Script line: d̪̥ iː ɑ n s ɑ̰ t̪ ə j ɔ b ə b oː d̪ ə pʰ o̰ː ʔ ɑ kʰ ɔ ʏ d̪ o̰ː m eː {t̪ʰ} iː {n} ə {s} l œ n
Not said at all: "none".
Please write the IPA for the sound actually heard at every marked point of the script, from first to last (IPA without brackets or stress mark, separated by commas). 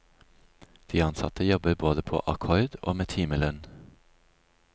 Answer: t̪ʰ, m, none